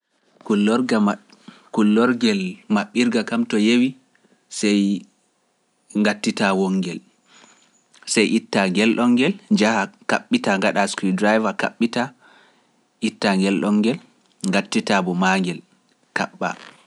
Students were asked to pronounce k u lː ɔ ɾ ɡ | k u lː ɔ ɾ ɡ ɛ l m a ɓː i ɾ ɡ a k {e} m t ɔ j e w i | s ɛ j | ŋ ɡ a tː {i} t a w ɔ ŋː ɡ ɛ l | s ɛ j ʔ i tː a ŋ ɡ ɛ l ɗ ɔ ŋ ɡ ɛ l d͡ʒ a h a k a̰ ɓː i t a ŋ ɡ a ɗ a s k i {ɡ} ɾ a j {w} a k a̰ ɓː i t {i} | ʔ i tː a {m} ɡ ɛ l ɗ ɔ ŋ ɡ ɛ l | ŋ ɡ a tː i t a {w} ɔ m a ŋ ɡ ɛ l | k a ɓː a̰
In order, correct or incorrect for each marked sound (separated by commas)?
incorrect, correct, incorrect, incorrect, incorrect, incorrect, incorrect